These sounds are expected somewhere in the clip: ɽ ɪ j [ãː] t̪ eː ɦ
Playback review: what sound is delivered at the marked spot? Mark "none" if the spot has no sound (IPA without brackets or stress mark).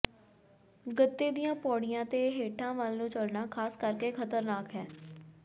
ãː